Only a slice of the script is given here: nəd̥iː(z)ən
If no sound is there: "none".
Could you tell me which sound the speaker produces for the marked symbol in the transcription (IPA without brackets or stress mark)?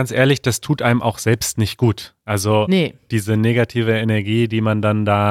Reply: z